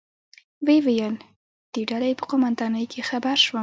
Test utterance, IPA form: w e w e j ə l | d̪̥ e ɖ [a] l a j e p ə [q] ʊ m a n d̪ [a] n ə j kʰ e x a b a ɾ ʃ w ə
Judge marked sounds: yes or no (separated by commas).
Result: yes, yes, no